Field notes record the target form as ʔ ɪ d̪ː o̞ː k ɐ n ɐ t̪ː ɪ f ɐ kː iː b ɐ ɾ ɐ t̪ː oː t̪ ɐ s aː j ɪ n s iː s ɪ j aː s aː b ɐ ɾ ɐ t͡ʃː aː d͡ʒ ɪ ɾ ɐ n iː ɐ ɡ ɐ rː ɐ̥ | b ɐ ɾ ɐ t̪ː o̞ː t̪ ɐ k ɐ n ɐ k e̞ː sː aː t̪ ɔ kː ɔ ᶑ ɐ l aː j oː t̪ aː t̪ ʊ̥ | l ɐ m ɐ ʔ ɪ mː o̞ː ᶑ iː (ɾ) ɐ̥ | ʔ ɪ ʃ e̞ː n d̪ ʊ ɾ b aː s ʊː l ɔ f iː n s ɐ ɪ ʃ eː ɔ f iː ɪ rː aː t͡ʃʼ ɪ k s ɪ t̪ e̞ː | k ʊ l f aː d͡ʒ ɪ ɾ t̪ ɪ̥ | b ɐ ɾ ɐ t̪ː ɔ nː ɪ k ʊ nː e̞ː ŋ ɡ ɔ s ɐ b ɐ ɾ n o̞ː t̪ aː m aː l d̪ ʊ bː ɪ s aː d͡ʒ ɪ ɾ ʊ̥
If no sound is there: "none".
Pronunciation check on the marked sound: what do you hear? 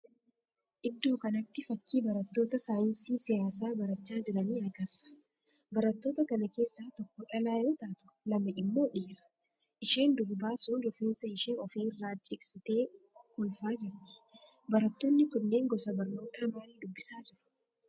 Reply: ɾ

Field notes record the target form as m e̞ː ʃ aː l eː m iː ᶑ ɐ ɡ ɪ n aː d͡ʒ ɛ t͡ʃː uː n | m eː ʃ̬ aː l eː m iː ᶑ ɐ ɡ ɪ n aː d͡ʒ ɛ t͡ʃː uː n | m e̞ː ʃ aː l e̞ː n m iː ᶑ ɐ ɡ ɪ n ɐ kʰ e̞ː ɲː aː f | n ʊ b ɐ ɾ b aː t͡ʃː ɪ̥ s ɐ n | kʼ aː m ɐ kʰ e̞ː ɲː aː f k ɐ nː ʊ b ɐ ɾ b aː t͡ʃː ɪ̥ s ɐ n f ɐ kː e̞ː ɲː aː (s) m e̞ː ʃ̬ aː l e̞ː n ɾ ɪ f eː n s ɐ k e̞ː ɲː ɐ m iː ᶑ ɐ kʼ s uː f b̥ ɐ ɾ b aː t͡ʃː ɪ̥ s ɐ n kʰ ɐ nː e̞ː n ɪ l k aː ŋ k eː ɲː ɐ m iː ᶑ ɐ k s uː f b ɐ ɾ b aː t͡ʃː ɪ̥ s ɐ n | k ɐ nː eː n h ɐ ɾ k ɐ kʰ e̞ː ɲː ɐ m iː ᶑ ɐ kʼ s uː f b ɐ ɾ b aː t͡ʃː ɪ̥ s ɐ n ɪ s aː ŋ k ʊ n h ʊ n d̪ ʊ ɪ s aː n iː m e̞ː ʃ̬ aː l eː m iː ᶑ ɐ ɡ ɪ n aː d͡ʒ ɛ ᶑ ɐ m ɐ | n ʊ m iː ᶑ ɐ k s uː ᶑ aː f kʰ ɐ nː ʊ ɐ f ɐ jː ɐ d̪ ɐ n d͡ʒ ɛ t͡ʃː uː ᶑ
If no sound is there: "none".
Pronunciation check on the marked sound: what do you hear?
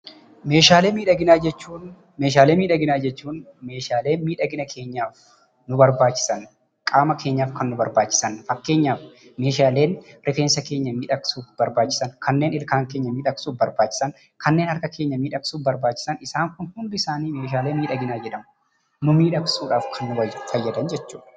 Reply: f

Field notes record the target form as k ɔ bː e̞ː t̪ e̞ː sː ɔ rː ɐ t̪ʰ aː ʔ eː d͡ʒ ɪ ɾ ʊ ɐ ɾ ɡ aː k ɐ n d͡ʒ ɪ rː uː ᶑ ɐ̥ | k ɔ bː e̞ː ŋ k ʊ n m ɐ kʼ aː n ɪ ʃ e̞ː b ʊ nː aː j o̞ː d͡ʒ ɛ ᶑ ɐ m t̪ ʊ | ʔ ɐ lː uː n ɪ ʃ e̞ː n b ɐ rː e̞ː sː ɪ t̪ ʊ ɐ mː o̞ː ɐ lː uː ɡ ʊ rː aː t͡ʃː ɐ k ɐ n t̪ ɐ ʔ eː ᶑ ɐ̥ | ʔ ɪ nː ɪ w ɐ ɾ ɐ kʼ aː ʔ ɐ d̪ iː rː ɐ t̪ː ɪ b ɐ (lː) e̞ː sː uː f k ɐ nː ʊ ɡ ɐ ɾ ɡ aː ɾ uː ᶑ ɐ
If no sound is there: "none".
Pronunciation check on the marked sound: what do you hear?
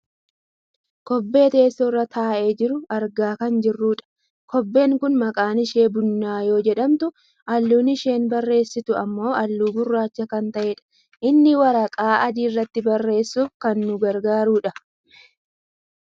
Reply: rː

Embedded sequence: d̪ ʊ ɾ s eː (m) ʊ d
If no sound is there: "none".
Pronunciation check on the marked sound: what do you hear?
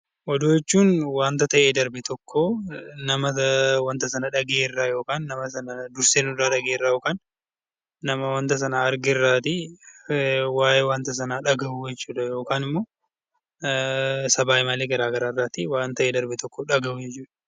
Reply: n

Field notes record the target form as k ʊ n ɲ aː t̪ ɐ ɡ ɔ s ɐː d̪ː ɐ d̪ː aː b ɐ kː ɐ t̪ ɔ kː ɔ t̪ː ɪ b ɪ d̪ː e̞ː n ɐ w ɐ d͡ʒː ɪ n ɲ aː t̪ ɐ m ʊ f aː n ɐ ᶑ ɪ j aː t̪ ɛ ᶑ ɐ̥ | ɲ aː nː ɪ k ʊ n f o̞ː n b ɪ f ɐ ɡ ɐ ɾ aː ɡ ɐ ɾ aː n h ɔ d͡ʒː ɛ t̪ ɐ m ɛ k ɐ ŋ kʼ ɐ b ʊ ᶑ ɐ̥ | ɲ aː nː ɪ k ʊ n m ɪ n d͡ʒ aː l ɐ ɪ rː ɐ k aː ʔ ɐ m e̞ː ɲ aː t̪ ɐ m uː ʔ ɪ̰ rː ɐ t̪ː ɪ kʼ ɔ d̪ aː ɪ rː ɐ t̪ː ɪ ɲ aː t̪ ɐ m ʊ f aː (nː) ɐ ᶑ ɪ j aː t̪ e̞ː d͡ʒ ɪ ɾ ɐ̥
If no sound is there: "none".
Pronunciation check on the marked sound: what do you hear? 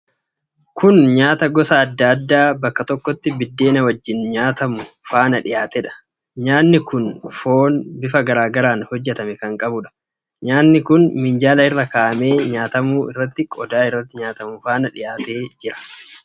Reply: n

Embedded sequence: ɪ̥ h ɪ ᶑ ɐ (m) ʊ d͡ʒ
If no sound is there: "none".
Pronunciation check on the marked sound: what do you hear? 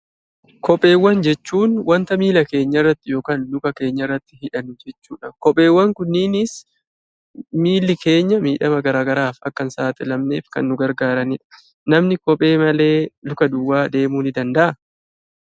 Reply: n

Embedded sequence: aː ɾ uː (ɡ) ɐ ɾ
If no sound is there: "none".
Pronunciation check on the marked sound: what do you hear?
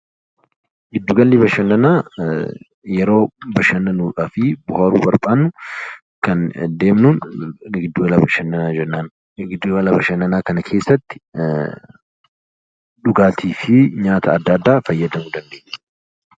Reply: b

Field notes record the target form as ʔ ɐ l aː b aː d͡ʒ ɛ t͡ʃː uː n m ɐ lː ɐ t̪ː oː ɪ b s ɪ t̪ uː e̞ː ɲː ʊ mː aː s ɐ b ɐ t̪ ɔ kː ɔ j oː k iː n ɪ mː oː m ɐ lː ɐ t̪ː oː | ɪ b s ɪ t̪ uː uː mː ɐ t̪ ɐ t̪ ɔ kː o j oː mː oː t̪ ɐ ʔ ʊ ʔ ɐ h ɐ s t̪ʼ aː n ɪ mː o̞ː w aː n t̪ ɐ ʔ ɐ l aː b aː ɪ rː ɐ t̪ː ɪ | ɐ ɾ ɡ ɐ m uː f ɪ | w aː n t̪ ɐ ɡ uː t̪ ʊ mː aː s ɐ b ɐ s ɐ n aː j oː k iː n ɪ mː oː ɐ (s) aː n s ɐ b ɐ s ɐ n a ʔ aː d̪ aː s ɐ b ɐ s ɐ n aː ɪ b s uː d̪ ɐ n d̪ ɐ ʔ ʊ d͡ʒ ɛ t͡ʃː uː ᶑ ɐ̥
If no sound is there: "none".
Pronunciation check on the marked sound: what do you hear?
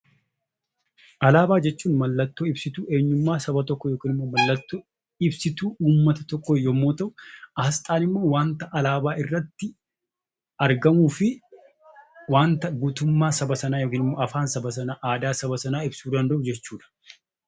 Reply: f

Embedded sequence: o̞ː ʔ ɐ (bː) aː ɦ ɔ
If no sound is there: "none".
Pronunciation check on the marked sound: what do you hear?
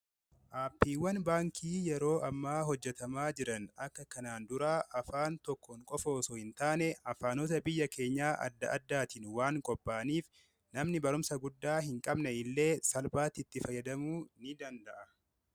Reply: mː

